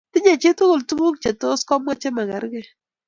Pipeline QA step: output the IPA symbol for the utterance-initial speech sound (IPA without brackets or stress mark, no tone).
t